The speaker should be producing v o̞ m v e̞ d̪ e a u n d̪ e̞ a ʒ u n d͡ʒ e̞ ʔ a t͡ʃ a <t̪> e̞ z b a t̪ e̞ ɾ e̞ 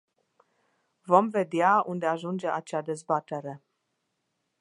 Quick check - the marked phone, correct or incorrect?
incorrect: d̪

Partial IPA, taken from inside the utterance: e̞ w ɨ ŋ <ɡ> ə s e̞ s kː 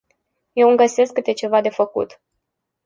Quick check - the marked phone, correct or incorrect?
correct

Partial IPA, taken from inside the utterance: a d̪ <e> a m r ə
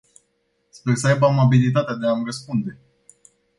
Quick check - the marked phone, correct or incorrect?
correct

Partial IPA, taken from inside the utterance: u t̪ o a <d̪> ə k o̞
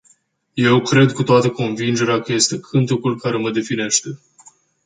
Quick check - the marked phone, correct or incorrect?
incorrect: t̪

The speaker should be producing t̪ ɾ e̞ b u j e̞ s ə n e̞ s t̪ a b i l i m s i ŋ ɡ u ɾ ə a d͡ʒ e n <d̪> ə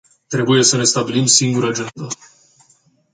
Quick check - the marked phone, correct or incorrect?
correct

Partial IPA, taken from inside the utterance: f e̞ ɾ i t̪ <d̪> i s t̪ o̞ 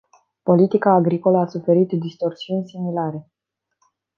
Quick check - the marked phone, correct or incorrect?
correct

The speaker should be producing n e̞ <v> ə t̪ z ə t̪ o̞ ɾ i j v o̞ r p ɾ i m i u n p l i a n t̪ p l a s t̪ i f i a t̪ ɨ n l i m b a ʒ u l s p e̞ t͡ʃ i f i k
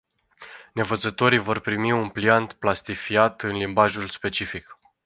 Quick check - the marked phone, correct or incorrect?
correct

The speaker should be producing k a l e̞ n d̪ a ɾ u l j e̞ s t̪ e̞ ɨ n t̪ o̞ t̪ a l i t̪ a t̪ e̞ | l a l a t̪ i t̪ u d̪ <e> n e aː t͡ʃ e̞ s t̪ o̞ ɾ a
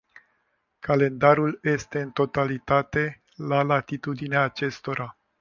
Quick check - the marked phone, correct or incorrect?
incorrect: i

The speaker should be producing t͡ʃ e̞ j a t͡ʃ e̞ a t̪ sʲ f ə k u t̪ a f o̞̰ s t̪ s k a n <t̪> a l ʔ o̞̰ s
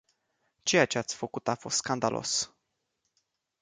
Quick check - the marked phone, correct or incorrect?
incorrect: d̪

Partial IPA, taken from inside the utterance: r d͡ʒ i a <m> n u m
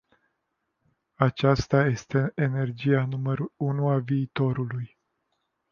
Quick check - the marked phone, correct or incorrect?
incorrect: none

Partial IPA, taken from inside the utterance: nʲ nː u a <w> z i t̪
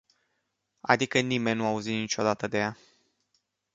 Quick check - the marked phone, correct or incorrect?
incorrect: u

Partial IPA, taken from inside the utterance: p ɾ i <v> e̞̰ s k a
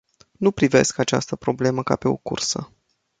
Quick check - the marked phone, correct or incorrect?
correct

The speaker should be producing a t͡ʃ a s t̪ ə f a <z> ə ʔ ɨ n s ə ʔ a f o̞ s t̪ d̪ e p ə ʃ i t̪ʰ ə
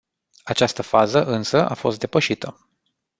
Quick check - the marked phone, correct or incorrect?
correct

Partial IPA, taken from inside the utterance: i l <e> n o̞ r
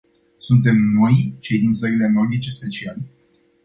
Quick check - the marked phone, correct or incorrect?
correct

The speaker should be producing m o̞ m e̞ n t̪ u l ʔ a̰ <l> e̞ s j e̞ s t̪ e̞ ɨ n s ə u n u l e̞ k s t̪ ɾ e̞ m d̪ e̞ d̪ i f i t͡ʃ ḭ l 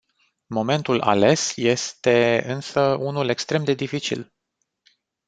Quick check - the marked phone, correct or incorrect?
correct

